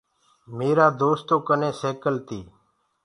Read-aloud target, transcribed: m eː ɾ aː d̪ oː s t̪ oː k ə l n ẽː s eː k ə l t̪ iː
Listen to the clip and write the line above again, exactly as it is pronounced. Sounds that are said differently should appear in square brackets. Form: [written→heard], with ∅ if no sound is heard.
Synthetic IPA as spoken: m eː ɾ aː d̪ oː s t̪ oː k ə [l→∅] n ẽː s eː k ə l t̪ iː